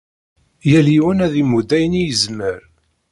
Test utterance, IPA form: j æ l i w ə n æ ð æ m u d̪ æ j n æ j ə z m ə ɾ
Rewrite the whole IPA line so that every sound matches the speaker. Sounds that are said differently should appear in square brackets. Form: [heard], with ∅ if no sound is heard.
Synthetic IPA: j æ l i w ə n æ ð [i] m u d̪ æ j n [i] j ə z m ə ɾ